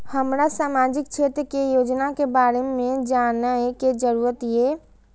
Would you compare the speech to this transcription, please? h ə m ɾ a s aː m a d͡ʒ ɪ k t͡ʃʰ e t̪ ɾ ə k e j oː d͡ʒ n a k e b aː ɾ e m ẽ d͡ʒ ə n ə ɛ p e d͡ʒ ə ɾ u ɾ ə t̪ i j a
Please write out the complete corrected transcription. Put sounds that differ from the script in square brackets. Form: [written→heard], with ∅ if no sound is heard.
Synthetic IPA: h ə m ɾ a s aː m a d͡ʒ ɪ k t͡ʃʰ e t̪ ɾ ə k e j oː d͡ʒ n a k e b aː ɾ e m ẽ d͡ʒ [ə→a] n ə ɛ [p→k] e d͡ʒ ə ɾ u ɾ ə t̪ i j [a→e]